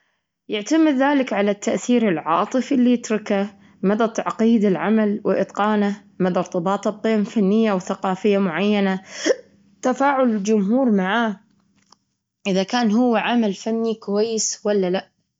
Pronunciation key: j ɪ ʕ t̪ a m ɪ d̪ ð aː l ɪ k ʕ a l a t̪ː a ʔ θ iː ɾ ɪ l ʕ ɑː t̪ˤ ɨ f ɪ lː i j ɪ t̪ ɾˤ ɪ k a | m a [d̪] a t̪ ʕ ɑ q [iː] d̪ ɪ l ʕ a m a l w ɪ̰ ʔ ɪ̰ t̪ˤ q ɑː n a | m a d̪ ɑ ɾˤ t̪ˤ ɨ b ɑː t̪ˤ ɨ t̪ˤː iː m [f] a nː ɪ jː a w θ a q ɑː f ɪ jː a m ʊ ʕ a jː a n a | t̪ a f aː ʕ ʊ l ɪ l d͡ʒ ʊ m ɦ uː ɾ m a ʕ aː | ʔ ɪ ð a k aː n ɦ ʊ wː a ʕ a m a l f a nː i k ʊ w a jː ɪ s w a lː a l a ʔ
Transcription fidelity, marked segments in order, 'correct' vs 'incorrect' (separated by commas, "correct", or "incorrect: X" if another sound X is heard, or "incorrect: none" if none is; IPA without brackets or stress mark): correct, correct, correct